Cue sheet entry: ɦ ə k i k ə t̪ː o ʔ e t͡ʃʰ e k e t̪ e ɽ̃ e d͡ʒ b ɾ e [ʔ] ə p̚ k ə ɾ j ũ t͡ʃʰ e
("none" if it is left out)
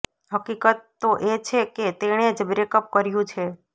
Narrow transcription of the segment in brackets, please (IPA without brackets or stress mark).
k